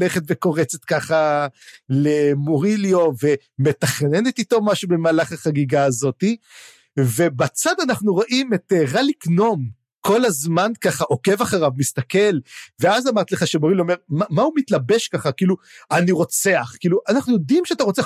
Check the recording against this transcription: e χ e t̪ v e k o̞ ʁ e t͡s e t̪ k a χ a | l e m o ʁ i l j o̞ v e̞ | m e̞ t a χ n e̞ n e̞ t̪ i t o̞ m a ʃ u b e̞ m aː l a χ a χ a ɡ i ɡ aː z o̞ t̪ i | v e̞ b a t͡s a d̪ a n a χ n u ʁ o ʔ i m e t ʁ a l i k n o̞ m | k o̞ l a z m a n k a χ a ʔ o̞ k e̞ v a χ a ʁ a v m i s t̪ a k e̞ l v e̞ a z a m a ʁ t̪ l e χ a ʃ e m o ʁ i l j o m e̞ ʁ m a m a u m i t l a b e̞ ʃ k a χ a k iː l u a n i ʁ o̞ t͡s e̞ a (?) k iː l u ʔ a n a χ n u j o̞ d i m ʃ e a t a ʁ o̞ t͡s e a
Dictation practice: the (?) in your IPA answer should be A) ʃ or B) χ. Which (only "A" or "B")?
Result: B